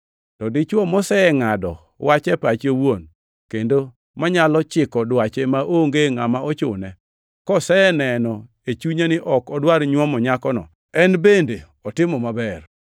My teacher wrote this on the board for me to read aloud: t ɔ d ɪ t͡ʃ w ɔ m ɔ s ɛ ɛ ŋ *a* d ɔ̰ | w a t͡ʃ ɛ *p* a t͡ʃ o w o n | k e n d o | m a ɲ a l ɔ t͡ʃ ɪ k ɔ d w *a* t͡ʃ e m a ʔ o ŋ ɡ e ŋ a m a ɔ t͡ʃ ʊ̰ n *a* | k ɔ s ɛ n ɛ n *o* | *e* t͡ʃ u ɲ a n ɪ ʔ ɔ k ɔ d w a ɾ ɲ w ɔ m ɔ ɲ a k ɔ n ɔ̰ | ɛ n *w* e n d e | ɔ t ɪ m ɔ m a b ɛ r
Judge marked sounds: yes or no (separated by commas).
yes, yes, yes, no, no, yes, no